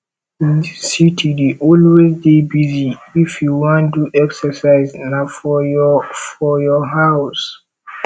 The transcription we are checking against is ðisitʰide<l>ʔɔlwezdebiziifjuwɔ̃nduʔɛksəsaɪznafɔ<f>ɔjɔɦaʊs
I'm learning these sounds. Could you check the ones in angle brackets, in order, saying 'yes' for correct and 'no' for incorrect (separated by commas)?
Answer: no, yes